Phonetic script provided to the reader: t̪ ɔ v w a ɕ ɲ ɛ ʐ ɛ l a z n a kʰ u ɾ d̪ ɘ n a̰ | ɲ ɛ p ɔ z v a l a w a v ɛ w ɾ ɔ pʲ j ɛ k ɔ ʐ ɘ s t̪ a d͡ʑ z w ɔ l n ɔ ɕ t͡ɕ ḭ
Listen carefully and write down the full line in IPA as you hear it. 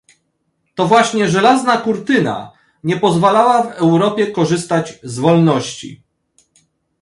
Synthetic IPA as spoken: t̪ ɔ v w a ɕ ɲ ɛ ʐ ɛ l a z n a k u ɾ t̪ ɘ n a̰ | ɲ ɛ p ɔ z v a l a w a v ɛ w ɾ ɔ pʲ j ɛ k ɔ ʐ ɘ s t̪ a d͡ʑ z v ɔ l n ɔ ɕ t͡ɕ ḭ

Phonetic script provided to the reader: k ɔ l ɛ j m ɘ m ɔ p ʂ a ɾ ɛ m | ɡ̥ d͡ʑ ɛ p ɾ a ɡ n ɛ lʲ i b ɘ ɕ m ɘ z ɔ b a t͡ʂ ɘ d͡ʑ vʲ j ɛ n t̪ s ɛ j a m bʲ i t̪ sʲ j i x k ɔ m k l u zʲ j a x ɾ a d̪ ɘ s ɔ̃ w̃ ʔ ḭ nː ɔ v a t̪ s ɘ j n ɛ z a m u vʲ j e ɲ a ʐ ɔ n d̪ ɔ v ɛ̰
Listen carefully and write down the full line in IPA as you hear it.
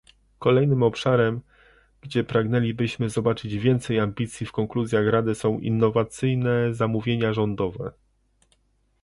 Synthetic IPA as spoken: k ɔ l ɛ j n ɘ m ɔ p ʂ a ɾ ɛ m | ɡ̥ d͡ʑ ɛ p ɾ a ɡ n ɛ lʲ i b ɘ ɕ m ɘ z ɔ b a t͡ʂ ɘ d͡ʑ vʲ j ɛ n t̪ s ɛ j a m bʲ i t̪ sʲ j i f k ɔ ŋ k l u zʲ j a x ɾ a d̪ ɘ s ɔ̃ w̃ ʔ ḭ nː ɔ v a t̪ s ɘ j n ɛ z a m u vʲ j e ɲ a ʐ ɔ n d̪ ɔ v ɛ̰

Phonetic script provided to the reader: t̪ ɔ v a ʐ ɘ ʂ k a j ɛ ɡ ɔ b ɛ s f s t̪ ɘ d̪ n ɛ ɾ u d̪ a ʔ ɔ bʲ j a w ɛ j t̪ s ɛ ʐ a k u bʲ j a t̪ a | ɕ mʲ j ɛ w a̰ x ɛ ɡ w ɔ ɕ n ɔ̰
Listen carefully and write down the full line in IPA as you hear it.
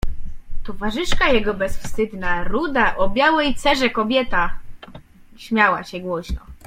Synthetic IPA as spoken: t̪ ɔ v a ʐ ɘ ʂ k a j ɛ ɡ ɔ b ɛ s f s t̪ ɘ d̪ n a ɾ u d̪ a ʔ ɔ bʲ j a w ɛ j t̪ s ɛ ʐ ɛ k ɔ bʲ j ɛ t̪ a | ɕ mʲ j a w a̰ ɕ ɛ ɡ w ɔ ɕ n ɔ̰

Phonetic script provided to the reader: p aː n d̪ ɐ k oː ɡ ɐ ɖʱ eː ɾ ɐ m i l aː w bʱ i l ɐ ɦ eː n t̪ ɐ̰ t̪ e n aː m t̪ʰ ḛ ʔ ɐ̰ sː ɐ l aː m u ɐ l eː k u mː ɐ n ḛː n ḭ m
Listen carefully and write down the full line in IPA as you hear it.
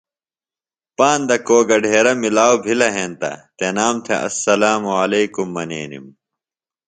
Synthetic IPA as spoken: p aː n d̪ ɐ k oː ɡ ɐ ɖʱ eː ɾ ɐ m i l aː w bʱ i l ɐ ɦ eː n t̪ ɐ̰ t̪ e n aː m t̪ʰ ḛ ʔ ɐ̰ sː ɐ l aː m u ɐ l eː k u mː ɐ n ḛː n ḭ m

